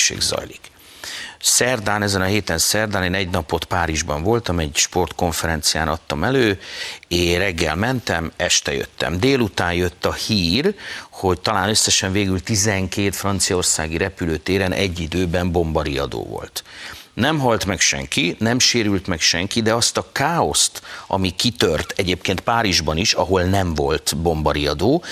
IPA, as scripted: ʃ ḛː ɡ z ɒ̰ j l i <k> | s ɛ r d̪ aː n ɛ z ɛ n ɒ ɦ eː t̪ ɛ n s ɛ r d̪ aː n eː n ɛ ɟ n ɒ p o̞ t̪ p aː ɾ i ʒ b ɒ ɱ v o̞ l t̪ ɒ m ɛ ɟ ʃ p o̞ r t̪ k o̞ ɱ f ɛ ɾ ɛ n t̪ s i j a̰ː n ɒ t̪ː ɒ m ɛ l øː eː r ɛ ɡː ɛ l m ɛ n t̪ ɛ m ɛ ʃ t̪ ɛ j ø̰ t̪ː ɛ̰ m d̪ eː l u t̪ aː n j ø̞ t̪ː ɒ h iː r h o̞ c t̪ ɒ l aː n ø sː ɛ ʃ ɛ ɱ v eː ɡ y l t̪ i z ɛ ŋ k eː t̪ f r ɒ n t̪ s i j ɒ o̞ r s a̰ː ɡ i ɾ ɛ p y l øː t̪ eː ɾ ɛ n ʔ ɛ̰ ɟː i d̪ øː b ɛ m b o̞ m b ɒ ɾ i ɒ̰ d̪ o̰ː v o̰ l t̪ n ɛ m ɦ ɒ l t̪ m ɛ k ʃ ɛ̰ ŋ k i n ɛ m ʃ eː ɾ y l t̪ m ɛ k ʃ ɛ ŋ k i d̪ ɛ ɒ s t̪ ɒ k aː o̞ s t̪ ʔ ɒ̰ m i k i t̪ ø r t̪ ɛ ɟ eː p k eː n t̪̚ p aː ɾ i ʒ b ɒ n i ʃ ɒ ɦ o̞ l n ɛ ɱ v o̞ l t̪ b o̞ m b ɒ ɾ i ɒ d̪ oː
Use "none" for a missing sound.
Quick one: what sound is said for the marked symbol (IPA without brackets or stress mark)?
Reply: k